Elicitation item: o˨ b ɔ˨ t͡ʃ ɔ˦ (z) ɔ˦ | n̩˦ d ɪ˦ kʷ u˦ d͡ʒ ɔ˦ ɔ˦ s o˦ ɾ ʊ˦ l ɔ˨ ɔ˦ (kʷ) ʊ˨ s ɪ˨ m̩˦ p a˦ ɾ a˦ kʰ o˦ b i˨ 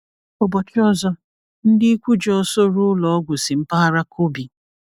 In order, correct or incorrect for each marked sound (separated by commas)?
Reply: correct, incorrect